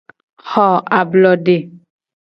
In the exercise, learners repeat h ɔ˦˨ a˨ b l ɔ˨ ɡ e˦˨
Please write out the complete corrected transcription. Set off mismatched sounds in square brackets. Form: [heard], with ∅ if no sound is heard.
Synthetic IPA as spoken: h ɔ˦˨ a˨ b l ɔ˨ [d] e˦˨